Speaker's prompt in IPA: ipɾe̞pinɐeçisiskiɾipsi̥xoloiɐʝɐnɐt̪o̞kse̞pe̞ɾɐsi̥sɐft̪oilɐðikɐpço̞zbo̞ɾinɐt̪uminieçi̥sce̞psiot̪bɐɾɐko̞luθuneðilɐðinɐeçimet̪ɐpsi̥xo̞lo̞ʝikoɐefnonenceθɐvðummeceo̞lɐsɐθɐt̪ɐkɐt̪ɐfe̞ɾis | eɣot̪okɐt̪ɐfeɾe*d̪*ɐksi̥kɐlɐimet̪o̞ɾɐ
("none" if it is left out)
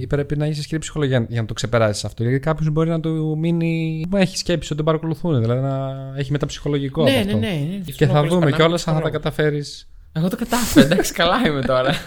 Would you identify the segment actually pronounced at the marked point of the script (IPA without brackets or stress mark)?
d̪